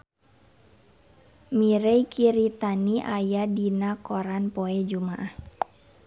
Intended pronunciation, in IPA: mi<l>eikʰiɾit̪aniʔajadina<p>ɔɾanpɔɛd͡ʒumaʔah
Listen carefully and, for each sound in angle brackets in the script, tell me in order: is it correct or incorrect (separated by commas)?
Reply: incorrect, incorrect